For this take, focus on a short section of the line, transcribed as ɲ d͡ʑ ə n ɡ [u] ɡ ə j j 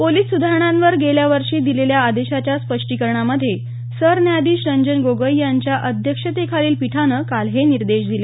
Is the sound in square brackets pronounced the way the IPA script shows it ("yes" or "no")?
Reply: no